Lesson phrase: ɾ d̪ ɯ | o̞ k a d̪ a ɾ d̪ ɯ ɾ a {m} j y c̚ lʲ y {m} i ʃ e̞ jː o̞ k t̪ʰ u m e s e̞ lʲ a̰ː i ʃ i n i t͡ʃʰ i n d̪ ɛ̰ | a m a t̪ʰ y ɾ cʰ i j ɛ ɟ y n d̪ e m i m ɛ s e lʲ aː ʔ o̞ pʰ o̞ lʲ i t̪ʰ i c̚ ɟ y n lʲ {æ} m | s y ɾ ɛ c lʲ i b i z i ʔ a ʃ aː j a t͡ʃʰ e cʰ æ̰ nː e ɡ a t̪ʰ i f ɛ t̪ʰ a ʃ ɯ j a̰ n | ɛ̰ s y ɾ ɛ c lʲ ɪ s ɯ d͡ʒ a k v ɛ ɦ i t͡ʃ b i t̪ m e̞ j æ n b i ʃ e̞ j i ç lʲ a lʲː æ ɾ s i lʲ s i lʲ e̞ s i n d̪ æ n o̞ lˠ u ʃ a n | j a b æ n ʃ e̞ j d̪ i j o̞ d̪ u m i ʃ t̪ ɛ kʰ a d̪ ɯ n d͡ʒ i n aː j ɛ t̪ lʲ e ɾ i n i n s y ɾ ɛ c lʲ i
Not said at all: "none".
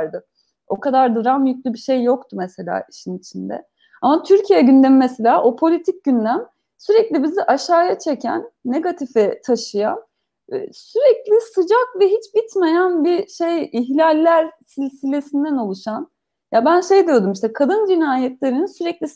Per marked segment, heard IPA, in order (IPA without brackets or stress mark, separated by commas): m, b, æ